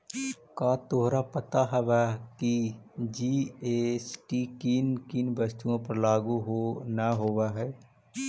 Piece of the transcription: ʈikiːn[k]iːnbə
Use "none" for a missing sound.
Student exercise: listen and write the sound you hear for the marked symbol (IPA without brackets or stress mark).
k